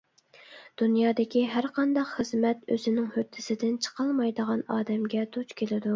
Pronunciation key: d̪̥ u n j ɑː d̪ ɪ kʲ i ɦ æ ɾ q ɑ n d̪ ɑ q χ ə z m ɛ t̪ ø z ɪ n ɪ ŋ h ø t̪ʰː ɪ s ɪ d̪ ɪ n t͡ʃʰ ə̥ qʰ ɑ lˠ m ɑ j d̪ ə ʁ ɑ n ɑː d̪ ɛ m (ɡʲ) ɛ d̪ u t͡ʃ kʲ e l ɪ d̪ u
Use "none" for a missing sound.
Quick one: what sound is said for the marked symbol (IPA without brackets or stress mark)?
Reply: ɡʲ